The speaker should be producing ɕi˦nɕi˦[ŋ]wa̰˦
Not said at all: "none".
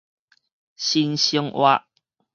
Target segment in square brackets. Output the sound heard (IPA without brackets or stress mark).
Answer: ŋ